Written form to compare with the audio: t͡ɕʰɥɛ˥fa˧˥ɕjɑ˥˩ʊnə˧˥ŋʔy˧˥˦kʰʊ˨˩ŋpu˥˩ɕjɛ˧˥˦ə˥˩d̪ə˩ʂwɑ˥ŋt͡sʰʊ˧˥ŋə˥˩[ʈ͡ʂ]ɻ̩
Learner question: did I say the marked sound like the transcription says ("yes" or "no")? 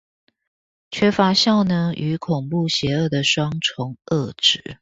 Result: yes